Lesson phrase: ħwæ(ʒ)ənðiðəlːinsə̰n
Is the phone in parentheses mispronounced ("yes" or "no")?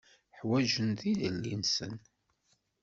no